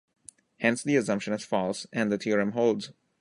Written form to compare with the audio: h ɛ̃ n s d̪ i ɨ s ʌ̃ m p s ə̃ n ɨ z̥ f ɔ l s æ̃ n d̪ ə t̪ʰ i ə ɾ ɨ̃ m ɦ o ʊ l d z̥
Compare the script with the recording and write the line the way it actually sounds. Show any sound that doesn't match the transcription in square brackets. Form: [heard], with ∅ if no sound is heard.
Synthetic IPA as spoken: h ɛ̃ n s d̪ i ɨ s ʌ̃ m p [ʃ] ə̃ n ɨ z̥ f ɔ l s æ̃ n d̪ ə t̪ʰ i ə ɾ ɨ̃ m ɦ o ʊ l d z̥